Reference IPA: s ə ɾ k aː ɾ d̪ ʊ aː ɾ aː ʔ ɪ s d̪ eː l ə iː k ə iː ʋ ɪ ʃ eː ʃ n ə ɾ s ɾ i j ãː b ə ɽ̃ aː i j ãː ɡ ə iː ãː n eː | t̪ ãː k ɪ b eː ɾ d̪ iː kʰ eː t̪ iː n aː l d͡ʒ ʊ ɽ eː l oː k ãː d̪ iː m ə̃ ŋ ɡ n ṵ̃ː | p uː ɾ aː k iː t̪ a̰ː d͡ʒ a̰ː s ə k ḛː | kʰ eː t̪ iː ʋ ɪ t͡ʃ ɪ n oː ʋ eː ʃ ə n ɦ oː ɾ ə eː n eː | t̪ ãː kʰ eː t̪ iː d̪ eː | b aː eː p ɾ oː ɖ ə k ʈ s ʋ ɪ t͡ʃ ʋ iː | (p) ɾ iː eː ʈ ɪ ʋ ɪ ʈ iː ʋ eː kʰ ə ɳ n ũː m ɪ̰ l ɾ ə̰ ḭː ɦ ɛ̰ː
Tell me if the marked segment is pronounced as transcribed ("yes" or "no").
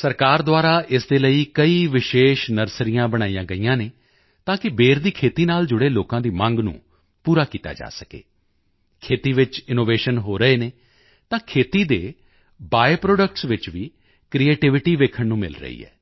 no